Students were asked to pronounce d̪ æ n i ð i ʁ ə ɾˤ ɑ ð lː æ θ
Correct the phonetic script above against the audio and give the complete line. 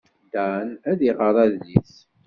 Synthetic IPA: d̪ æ n æ ð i ʁ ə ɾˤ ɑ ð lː i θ